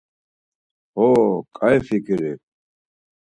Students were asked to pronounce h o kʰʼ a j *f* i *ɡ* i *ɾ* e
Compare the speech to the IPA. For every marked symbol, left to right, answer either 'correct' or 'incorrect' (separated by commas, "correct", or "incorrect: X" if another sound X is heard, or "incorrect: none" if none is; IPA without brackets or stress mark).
correct, incorrect: k, correct